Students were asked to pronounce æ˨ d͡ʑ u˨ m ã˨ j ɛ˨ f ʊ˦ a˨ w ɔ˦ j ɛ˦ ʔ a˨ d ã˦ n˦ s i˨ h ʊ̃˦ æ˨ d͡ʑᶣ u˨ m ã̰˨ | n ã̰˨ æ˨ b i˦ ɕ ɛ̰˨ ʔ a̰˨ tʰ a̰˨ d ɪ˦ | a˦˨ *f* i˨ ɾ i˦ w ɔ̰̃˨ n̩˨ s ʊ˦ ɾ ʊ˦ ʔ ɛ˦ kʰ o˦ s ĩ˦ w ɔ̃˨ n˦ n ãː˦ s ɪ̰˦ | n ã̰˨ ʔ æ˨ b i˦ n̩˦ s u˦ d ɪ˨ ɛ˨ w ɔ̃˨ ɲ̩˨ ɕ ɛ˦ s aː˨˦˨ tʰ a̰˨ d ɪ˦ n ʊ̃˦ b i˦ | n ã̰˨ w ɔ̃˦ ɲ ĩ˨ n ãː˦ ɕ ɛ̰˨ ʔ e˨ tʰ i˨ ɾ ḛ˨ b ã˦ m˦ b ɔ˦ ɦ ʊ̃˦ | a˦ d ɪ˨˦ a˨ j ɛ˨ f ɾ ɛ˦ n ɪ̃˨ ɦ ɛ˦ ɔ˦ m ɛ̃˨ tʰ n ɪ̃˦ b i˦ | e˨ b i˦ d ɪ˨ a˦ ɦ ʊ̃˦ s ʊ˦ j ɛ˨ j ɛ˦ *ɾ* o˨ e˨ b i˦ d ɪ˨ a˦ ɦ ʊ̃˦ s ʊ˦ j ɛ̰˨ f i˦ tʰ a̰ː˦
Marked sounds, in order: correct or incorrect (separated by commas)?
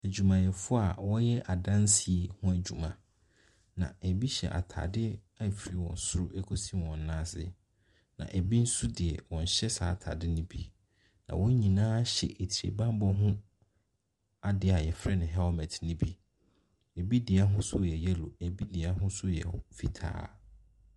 correct, incorrect